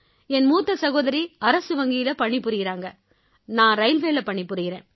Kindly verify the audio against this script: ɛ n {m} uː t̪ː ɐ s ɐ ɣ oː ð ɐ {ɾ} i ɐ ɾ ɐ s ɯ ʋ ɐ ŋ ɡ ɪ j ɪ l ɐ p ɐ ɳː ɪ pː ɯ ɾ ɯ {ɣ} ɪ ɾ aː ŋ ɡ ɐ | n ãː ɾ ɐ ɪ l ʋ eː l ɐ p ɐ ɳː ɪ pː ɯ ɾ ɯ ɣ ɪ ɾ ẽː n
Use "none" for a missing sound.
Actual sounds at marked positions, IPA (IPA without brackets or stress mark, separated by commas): m, ɾ, ɣ